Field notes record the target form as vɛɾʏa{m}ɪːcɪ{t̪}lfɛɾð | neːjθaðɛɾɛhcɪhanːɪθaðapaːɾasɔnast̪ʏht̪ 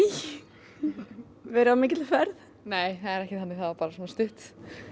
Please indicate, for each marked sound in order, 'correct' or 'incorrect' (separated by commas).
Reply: correct, correct